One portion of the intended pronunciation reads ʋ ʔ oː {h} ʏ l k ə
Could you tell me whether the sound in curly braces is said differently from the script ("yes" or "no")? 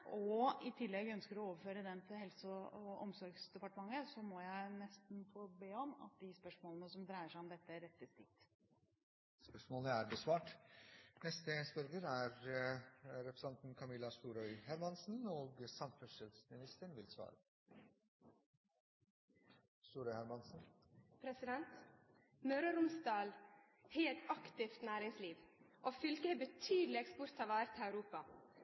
yes